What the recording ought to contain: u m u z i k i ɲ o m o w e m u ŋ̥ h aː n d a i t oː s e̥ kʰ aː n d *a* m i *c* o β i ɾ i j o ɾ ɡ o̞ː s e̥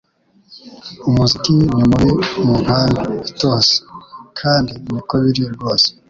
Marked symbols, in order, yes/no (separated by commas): no, no